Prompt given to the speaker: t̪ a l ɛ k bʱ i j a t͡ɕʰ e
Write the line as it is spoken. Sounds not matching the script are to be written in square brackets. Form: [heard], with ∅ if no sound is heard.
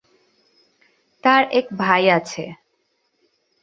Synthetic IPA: t̪ a [ɾ] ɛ k bʱ [a] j a t͡ɕʰ e